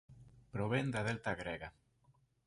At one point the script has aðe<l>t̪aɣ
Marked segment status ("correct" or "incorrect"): correct